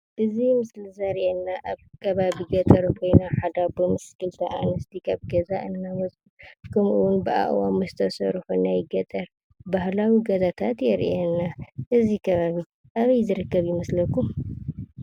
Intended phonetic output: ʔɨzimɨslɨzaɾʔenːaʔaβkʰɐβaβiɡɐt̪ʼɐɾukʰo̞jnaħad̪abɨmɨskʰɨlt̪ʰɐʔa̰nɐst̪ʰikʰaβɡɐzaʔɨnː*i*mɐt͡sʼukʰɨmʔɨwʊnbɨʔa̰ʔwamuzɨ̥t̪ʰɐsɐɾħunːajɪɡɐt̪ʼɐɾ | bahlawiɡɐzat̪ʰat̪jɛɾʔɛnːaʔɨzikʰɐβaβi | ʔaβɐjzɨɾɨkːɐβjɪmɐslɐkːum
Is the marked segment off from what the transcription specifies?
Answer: yes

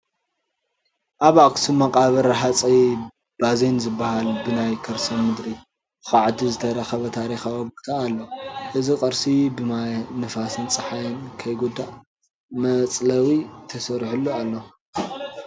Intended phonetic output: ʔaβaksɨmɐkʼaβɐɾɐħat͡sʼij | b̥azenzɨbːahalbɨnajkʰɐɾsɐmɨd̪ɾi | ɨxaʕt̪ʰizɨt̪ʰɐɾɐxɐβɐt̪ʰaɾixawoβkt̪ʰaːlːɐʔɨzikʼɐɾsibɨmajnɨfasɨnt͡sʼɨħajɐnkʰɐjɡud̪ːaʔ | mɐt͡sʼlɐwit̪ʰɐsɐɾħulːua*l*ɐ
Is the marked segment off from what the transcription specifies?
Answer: yes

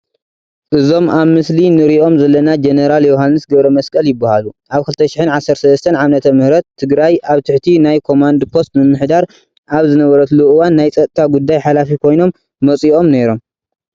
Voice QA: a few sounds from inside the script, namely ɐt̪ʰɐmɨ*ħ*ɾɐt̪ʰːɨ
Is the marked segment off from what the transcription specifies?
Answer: yes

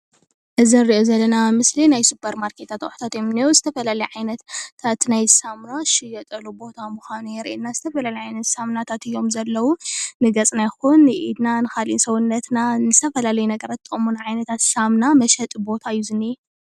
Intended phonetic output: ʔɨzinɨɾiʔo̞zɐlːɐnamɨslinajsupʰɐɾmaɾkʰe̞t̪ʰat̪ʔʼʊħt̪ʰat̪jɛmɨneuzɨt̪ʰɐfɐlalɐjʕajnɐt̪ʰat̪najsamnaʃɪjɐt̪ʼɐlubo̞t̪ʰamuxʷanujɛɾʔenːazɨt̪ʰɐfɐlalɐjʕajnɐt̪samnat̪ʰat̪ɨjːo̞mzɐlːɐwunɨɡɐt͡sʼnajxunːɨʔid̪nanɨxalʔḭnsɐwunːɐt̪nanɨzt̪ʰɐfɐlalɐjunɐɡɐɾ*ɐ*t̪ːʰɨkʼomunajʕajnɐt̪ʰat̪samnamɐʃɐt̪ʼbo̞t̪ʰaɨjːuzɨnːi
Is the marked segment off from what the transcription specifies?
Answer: yes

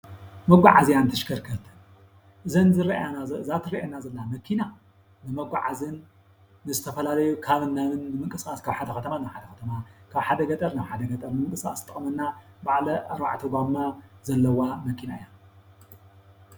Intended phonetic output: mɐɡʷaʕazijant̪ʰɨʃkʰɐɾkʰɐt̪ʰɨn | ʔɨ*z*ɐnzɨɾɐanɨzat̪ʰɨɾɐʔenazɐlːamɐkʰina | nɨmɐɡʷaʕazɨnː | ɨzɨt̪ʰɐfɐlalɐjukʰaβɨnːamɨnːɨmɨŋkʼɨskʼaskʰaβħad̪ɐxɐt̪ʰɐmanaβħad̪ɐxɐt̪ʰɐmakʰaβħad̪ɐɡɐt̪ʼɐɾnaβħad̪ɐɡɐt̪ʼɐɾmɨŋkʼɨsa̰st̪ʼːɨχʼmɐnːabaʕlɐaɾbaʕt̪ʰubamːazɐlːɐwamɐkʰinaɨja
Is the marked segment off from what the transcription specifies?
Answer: no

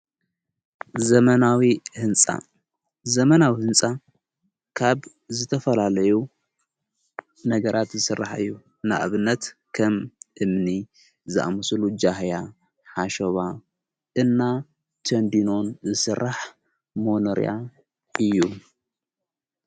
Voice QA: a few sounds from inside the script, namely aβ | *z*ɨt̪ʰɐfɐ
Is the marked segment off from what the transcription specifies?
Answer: no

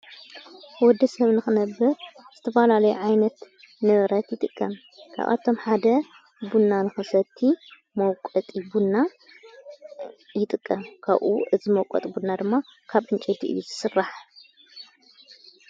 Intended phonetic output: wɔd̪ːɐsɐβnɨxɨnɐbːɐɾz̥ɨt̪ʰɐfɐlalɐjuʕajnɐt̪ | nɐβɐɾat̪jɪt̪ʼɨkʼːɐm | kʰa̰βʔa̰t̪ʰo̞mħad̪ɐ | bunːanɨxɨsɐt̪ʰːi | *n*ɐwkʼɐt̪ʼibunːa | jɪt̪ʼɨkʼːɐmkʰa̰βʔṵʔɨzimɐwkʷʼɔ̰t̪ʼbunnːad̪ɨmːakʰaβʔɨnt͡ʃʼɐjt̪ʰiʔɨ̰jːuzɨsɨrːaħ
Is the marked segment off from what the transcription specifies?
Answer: yes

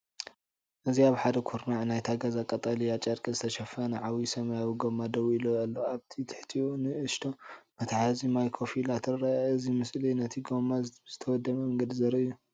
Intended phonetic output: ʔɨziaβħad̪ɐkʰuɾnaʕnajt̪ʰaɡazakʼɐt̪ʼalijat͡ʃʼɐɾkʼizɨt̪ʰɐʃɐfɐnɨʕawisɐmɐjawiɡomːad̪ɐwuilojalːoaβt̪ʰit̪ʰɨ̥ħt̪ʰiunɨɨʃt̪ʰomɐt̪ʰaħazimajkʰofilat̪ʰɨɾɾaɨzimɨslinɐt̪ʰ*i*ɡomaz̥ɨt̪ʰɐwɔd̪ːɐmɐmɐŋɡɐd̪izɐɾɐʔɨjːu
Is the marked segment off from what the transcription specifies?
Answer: no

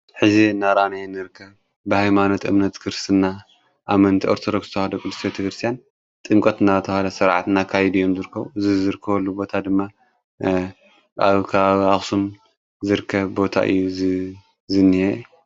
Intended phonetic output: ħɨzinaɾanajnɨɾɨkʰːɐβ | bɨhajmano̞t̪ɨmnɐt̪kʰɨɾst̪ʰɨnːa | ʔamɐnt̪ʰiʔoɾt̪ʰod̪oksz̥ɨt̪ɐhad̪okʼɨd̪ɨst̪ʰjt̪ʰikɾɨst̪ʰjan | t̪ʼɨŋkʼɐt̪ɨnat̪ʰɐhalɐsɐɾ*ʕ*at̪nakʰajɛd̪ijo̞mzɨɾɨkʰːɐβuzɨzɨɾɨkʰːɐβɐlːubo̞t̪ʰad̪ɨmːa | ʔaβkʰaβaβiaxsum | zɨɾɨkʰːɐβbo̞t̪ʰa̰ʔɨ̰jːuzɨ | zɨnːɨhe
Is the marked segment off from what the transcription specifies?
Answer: no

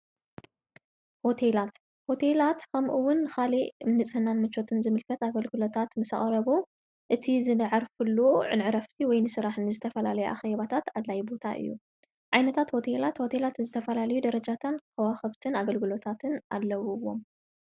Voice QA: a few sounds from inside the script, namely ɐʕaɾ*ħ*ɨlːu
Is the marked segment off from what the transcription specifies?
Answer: yes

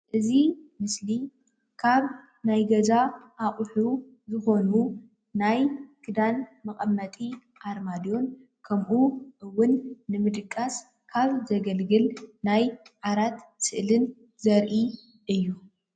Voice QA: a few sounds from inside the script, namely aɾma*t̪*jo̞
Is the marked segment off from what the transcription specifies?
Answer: yes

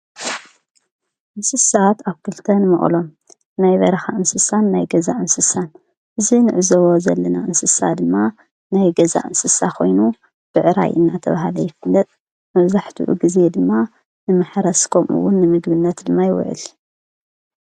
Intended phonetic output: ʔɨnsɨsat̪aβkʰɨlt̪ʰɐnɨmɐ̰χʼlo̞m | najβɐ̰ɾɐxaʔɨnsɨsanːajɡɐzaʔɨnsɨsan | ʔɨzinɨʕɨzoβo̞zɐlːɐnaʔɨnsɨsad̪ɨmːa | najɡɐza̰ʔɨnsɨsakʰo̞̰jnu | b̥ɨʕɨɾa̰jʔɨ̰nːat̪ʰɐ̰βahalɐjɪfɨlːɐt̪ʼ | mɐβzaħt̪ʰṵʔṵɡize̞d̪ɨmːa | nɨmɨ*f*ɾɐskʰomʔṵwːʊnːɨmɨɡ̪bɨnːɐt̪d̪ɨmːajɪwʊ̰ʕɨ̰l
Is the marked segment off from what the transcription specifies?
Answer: yes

